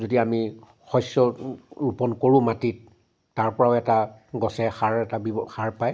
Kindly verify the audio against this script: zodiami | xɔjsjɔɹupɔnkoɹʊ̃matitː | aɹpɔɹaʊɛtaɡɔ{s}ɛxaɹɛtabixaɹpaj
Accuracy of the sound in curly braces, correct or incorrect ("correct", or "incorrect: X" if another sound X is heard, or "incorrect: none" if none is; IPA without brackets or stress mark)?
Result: correct